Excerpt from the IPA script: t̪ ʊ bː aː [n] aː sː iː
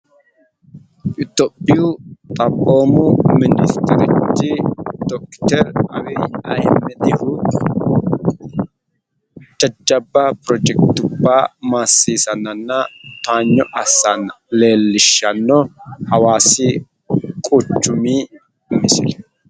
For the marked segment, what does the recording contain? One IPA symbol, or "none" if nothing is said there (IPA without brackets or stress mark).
m